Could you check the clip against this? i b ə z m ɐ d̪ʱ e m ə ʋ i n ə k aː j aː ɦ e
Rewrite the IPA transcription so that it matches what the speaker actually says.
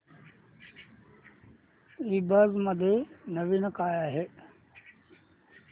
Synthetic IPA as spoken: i b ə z m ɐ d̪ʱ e n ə ʋ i n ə k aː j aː ɦ e